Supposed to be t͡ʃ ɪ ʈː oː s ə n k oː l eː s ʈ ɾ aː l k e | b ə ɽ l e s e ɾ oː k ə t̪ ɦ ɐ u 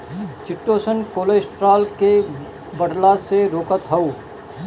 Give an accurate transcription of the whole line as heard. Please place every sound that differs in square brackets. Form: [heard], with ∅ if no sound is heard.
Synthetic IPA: t͡ʃ ɪ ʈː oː s ə n k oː l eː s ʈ ɾ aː l k e | b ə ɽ l [a] s e ɾ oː k ə t̪ ɦ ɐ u